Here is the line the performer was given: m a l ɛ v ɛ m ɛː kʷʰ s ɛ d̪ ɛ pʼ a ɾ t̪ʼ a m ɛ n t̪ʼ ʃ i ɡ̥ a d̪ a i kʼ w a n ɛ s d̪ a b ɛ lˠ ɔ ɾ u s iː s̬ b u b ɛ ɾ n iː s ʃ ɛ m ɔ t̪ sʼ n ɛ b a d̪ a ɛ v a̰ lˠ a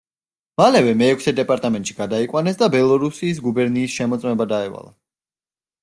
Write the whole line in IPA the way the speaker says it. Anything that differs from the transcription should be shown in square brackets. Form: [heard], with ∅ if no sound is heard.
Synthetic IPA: m a l ɛ v ɛ m ɛː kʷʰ s ɛ d̪ ɛ pʼ a ɾ t̪ʼ a m ɛ n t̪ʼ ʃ i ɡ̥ a d̪ a i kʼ w a n ɛ s d̪ a b ɛ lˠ ɔ ɾ u s iː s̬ [ɡ] u b ɛ ɾ n iː s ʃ ɛ m ɔ t̪ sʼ [m] ɛ b a d̪ a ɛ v a̰ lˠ a